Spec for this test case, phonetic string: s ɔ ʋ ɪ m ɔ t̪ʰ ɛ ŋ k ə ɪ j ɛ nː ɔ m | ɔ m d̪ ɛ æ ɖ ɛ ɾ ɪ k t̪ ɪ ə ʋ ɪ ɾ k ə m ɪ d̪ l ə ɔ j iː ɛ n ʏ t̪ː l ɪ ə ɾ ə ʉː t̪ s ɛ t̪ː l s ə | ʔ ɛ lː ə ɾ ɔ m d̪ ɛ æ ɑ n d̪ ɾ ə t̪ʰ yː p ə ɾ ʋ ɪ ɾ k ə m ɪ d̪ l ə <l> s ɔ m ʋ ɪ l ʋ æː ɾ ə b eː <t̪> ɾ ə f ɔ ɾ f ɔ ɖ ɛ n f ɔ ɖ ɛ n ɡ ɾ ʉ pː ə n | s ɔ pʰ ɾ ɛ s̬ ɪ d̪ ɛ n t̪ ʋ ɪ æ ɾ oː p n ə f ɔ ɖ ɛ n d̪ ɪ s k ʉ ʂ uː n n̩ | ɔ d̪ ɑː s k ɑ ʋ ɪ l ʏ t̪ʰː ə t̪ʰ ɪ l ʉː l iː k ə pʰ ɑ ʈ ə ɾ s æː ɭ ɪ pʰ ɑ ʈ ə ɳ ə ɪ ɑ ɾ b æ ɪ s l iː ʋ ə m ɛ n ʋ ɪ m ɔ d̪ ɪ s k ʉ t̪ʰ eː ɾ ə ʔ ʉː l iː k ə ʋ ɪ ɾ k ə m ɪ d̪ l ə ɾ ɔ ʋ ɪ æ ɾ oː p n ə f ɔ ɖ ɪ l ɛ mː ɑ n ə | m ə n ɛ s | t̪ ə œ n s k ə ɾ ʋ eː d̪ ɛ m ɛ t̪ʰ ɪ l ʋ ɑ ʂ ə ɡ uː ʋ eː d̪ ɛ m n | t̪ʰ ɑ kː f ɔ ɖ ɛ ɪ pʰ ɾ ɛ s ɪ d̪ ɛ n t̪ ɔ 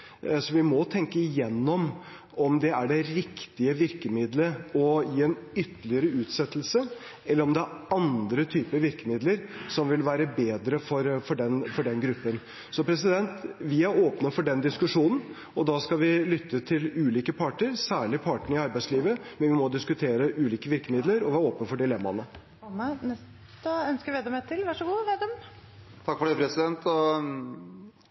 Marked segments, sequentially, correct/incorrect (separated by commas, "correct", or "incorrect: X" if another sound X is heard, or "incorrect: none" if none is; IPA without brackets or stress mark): incorrect: ɾ, incorrect: d̪